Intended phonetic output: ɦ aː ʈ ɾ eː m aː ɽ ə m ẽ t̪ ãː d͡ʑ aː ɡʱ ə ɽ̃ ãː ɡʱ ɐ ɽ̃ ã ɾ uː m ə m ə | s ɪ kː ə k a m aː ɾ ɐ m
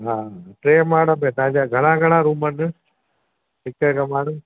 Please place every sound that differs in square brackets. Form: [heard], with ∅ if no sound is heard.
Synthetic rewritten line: ɦ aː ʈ ɾ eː m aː ɽ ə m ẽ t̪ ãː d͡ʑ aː ɡʱ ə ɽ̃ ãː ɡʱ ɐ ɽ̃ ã ɾ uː m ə [n] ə | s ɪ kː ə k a m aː [ɽ] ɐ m